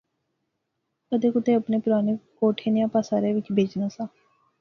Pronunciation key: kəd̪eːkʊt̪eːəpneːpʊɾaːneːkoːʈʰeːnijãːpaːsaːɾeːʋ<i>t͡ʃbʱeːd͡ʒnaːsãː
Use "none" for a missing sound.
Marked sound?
ɪ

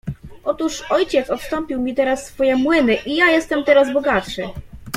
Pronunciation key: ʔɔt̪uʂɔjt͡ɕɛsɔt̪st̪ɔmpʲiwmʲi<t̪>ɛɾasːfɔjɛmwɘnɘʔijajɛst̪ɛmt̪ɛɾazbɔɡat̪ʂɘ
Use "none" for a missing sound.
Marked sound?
t̪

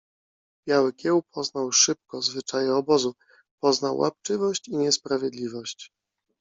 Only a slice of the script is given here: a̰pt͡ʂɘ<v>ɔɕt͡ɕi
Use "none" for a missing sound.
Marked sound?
v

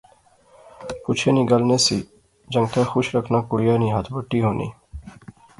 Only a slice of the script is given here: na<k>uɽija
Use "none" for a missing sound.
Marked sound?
k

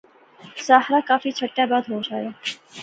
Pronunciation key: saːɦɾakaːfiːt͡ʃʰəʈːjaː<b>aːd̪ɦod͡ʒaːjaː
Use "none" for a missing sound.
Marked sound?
b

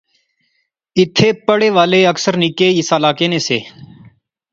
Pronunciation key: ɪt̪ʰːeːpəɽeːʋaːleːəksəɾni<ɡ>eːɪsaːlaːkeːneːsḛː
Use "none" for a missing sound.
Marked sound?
k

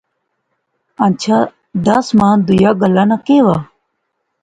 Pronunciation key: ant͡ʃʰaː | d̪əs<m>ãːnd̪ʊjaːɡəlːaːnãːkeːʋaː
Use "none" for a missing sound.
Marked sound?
m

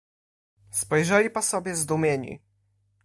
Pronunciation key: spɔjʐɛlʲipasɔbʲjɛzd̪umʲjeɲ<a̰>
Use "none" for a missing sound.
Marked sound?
ḭ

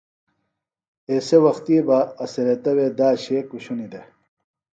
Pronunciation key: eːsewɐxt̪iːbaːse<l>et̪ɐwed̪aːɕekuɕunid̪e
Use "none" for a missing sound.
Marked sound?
ɾ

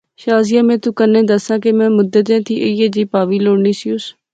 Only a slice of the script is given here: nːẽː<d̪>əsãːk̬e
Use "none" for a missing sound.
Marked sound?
d̪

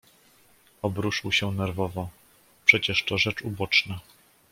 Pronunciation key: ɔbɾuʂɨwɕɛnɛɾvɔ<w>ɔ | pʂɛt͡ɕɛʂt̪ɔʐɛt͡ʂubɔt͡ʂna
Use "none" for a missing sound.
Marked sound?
v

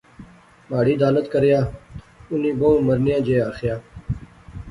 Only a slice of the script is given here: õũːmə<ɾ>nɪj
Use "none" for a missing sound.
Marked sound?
ɾ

